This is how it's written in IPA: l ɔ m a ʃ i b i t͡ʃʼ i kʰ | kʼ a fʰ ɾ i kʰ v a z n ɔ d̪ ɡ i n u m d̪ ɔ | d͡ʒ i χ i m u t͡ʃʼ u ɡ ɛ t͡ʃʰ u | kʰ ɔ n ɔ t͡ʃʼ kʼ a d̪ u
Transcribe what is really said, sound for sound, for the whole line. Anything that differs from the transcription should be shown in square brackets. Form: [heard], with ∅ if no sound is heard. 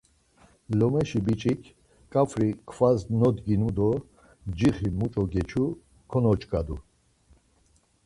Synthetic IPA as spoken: l ɔ m [ɛ] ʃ i b i t͡ʃʼ i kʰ | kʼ a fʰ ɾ i kʰ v a z n ɔ d̪ ɡ i n u [∅] d̪ ɔ | d͡ʒ i χ i m u t͡ʃʼ [ɔ] ɡ ɛ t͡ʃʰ u | kʰ ɔ n ɔ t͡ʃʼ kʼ a d̪ u